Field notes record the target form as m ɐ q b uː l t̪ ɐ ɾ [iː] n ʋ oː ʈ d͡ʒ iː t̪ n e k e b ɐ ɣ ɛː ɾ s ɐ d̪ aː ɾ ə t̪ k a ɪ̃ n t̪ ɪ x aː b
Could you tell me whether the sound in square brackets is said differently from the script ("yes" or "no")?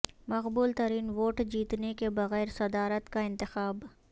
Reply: no